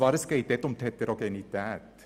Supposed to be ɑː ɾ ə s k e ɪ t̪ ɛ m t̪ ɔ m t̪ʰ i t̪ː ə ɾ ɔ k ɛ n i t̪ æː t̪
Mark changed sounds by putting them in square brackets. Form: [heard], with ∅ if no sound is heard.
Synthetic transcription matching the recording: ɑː ɾ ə s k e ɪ t̪ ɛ [∅] t̪ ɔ m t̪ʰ [ɛ] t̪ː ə ɾ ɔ k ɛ n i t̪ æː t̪